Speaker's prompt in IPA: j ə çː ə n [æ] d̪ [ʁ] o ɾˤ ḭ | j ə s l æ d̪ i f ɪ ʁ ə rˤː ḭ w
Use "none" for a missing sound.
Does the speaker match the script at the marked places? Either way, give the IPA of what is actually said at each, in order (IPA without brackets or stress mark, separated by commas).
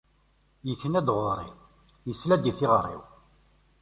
æ, ʁ